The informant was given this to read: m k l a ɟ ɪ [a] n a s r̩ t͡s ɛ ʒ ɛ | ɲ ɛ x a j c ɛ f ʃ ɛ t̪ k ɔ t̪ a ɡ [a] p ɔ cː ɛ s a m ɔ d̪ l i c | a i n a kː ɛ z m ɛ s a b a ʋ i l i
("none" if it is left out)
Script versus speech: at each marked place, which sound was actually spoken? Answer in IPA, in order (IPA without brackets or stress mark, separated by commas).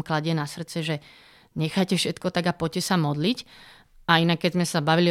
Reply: ɛ, a